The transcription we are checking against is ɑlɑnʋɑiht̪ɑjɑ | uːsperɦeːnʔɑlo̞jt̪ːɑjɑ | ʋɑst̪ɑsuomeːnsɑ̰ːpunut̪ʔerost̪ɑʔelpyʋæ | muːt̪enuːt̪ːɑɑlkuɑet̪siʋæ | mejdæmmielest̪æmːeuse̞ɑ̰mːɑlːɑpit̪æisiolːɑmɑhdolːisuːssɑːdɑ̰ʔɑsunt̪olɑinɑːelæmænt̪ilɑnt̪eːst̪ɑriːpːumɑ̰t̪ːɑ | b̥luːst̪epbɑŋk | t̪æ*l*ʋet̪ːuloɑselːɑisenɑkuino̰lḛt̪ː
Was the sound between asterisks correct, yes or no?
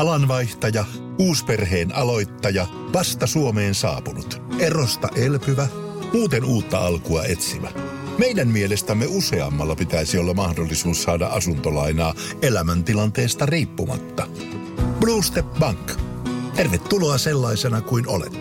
no